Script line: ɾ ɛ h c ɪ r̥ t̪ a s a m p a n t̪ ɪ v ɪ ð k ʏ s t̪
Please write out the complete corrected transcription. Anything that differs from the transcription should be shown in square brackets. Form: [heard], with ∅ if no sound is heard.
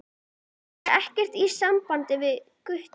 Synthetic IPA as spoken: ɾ ɛ h c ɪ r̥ t̪ [i] s a m p a n t̪ ɪ v ɪ ð k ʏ [h] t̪